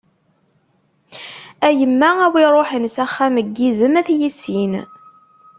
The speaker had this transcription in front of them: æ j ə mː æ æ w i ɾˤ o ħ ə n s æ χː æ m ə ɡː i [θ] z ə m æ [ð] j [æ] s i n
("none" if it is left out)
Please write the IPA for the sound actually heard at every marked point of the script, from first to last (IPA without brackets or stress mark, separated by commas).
none, θ, i